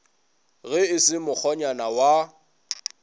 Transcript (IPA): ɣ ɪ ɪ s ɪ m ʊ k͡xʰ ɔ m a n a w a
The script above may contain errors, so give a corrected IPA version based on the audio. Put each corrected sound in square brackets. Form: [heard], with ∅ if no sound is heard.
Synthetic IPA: ɣ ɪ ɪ s ɪ m ʊ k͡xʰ ɔ [ɲ] a n a w a